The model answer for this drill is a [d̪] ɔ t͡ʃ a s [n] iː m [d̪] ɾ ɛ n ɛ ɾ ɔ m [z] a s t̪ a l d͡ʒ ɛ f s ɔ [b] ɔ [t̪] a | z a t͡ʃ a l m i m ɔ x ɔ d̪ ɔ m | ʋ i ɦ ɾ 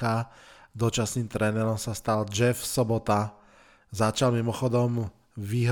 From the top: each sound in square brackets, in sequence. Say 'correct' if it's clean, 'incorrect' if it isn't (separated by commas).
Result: correct, correct, incorrect, incorrect, correct, correct